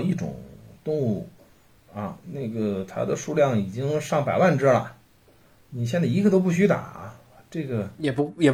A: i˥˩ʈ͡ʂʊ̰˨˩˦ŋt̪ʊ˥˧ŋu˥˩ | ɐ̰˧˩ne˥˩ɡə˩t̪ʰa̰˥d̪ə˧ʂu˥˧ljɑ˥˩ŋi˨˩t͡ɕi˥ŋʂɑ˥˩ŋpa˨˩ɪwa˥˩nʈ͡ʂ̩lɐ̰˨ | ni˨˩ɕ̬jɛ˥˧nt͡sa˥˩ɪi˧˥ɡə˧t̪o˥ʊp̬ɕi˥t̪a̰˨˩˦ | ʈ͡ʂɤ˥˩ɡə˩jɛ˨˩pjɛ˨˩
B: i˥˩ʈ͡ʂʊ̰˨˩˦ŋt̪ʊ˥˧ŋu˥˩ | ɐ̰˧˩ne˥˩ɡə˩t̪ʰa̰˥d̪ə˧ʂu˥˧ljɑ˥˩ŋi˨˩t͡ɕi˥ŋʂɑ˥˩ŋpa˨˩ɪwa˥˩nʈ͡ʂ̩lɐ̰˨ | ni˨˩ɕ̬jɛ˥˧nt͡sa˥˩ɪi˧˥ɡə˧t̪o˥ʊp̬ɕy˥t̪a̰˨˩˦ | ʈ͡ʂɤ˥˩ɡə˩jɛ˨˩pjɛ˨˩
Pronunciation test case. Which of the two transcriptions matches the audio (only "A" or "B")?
B